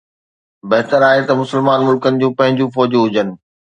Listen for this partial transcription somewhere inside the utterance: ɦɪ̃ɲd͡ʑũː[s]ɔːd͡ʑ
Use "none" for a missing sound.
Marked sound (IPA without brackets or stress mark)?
f